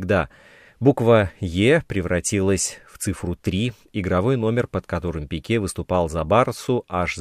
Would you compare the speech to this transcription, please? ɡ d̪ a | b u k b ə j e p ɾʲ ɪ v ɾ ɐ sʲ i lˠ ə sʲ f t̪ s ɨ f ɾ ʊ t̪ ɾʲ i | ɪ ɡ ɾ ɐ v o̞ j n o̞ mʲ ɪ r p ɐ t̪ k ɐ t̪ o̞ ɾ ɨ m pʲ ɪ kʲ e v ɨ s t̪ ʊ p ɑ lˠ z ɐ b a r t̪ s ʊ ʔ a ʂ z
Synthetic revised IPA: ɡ d̪ a | b u k v ə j e p ɾʲ ɪ v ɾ ɐ tʲ i lˠ ə sʲ f t̪ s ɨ f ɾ ʊ t̪ ɾʲ i | ɪ ɡ ɾ ɐ v o̞ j n o̞ mʲ ɪ r p ə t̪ k ɐ t̪ o̞ ɾ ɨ m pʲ ɪ kʲ e v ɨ s t̪ ʊ p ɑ lˠ z ɐ b a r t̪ s ʊ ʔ a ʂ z